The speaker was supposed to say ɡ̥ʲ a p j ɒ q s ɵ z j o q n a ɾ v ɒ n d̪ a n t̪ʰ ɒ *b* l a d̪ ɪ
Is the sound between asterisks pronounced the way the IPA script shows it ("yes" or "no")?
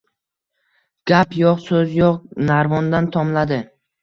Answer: no